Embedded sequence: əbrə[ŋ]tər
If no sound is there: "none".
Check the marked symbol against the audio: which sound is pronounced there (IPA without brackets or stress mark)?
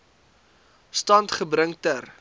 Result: ŋ